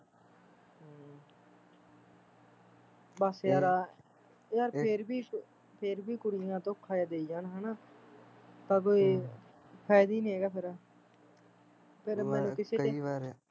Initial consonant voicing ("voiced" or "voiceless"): voiced